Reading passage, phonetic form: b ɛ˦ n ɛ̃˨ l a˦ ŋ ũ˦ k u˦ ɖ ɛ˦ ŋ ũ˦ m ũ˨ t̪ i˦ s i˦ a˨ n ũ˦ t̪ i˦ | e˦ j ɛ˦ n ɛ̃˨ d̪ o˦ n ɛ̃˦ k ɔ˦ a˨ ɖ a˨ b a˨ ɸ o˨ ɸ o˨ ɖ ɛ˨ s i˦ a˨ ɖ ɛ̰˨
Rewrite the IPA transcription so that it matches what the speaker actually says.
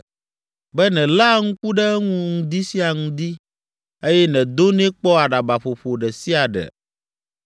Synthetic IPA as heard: b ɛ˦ n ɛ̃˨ l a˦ ŋ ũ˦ k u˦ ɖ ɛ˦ ŋ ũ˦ ŋ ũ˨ d̪ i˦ s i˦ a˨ ŋ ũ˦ d̪ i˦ | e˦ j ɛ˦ n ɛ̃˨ d̪ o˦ n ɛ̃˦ k͡p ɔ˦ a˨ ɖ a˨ b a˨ ɸ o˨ ɸ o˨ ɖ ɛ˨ s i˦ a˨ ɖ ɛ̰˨